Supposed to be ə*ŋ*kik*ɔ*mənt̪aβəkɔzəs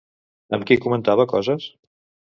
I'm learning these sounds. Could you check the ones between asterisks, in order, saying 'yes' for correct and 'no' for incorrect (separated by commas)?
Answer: no, no